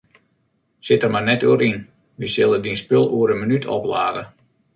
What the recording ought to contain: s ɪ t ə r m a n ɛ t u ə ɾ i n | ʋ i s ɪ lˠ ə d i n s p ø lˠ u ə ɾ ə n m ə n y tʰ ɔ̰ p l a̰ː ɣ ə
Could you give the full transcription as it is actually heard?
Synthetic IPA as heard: s ɪ t ə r m a n ɛ t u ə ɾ i n | ʋ i s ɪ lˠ ə d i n s p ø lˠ u ə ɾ ə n m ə n y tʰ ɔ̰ p l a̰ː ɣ ə